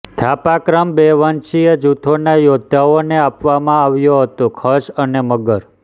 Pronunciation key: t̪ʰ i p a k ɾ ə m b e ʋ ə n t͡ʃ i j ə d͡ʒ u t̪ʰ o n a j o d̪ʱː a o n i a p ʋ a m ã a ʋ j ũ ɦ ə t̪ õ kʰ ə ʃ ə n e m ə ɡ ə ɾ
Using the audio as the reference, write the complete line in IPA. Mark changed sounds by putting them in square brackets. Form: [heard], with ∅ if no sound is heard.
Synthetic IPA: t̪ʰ [a] p a k ɾ ə m b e ʋ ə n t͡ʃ i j ə d͡ʒ u t̪ʰ o n a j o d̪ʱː a o n [e] a p ʋ a m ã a ʋ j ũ ɦ ə t̪ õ kʰ ə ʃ ə n e m ə ɡ ə ɾ